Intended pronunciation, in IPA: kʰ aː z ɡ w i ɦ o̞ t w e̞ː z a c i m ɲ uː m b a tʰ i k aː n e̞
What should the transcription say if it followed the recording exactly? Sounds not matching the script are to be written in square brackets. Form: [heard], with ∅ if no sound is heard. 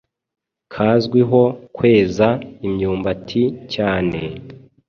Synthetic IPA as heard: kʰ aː z ɡ w i ɦ o̞ [k] w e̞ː z a [∅] i m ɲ uː m b a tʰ i [c] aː n e̞